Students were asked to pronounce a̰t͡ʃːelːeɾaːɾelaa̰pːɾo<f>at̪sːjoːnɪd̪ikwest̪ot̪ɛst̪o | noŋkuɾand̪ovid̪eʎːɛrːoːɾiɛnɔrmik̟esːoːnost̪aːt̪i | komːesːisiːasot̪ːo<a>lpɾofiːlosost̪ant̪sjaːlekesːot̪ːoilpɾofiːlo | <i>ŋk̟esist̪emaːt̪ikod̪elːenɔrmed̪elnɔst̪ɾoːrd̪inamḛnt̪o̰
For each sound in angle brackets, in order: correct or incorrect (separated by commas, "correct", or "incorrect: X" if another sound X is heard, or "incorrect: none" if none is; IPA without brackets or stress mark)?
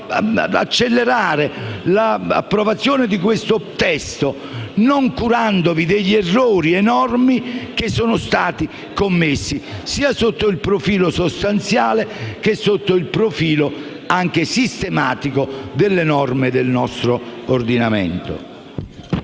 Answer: incorrect: v, incorrect: i, incorrect: a